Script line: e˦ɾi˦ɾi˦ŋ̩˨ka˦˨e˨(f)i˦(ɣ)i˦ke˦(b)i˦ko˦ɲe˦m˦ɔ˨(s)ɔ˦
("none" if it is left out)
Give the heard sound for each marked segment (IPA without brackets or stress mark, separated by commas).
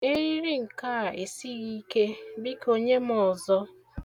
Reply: s, ɣ, b, z